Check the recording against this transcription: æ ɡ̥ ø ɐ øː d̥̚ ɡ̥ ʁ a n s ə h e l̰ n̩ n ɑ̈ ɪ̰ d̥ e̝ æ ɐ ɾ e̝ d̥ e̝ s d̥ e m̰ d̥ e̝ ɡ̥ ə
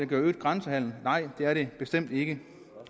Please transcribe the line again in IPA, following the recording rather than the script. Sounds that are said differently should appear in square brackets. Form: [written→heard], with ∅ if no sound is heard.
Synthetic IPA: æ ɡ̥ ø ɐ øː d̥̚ ɡ̥ ʁ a n s ə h [e→æ] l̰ n̩ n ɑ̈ ɪ̰ d̥ e̝ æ ɐ ɾ e̝ [d̥→b̥] e̝ s d̥ e m̰ d̥ e̝ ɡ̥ ə